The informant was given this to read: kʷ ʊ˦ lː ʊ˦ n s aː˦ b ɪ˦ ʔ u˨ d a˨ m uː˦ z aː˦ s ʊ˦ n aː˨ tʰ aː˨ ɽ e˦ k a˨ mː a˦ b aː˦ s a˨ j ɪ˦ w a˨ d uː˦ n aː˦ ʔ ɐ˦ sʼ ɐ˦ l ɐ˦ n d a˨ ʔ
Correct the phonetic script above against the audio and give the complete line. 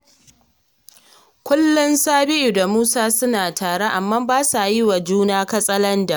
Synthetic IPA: kʷ ʊ˦ lː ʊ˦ n s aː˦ b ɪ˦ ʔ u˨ d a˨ m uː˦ s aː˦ s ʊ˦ n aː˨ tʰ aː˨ ɽ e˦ ʔ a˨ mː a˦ b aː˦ s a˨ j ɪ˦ w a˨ d͡ʒ uː˦ n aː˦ k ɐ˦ sʼ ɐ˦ l ɐ˦ n d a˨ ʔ